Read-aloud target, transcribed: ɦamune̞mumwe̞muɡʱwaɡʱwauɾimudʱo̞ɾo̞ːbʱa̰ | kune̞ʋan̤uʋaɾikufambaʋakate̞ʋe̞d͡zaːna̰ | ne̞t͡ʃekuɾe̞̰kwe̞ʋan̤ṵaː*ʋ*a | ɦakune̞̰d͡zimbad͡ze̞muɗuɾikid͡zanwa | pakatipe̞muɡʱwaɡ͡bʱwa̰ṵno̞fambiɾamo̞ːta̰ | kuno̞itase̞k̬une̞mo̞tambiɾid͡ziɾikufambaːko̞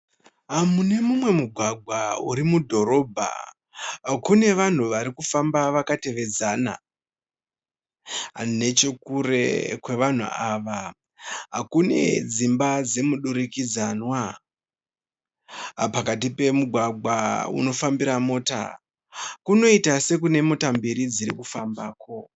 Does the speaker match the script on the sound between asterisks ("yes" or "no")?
yes